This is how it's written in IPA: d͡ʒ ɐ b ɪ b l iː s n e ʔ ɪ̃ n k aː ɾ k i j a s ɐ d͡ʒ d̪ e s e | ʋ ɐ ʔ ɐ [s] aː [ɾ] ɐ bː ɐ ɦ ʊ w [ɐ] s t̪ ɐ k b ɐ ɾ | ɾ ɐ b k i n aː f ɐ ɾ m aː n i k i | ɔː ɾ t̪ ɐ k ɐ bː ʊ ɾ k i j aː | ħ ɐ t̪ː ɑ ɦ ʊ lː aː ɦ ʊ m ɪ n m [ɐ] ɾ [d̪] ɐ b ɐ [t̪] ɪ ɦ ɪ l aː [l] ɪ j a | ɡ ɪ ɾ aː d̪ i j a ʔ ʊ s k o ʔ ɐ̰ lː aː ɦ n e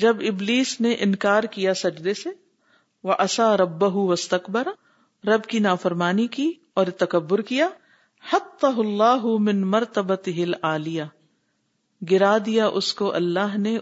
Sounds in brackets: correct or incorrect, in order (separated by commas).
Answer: correct, correct, correct, correct, incorrect, correct, correct